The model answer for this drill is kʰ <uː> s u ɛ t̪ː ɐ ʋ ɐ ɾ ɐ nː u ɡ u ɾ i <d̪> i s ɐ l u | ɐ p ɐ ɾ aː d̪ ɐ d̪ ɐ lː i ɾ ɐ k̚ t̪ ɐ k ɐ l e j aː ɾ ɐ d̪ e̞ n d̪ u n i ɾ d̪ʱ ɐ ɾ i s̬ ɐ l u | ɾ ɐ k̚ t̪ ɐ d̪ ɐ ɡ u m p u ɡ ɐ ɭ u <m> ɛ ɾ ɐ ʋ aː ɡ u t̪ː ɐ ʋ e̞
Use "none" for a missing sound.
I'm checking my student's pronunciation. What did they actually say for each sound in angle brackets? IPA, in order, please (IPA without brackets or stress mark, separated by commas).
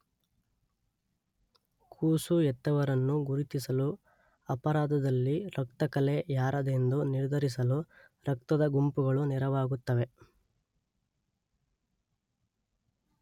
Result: uː, t̪, n